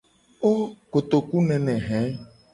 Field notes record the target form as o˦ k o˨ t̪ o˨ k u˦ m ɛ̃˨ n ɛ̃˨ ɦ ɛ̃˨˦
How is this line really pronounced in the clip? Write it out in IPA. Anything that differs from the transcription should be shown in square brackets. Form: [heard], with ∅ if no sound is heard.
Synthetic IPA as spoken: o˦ k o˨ t̪ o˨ k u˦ [n] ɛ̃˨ n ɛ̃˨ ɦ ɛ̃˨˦